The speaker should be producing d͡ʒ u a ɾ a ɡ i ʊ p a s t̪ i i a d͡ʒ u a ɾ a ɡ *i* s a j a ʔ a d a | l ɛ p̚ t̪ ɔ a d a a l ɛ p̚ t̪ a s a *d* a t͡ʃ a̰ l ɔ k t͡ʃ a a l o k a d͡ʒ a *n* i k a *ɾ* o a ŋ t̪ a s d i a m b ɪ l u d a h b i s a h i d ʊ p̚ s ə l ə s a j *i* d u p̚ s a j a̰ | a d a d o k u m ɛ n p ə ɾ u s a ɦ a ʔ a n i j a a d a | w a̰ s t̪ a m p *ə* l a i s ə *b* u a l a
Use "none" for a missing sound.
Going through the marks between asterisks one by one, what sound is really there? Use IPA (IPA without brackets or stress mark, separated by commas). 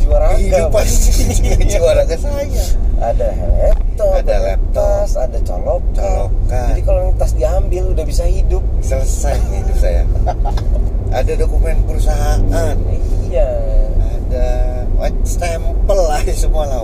a, d, d, l, i, ə, m